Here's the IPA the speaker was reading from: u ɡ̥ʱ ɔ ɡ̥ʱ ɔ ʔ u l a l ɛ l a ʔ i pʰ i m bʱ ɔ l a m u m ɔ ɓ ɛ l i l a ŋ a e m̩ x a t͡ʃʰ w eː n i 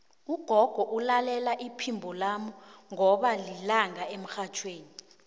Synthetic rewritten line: u ɡ̥ʱ ɔ ɡ̥ʱ ɔ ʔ u l a l ɛ l a ʔ i pʰ i m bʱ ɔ l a m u ŋ ɔ ɓ a l i l a ŋ a e m̩ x a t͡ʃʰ w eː n i